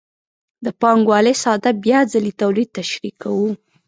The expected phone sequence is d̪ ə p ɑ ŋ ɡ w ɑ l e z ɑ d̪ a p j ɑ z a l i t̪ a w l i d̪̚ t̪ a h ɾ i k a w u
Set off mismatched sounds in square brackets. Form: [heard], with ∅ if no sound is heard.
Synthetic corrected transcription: d̪ ə p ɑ ŋ ɡ w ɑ l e [s] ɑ d̪ a [b] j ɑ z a l i t̪ a w l i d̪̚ t̪ a [ʃ] ɾ i k a w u